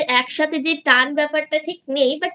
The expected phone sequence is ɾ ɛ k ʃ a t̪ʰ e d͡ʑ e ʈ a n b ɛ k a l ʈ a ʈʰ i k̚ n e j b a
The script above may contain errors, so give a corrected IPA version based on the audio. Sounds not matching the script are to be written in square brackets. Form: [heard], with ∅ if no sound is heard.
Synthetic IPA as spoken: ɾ ɛ k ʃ a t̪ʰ e d͡ʑ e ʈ a n b ɛ [p] a [ɾ] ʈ a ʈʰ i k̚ n e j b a